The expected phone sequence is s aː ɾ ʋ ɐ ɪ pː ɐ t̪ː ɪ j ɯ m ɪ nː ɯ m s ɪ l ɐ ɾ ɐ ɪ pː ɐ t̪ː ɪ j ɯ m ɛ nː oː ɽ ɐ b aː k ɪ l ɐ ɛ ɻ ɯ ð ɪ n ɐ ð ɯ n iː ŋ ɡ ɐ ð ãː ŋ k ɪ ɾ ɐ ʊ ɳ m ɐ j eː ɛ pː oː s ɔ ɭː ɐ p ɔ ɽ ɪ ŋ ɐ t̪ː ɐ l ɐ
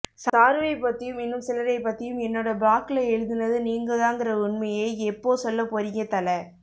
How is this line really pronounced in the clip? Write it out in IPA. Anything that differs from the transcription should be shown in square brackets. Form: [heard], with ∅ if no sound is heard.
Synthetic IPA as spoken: s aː ɾ ʋ ɐ ɪ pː ɐ t̪ː ɪ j ɯ m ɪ nː ɯ m s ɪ l ɐ ɾ ɐ ɪ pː ɐ t̪ː ɪ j ɯ m ɛ nː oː ɽ ɐ b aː k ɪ l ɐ ɛ ɻ ɯ ð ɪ n ɐ ð ɯ n iː ŋ ɡ ɐ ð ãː ŋ [ɡ] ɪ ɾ ɐ ʊ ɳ m ɐ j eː ɛ pː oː s ɔ [lː] ɐ p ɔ [ɾ] ɪ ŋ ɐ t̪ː ɐ l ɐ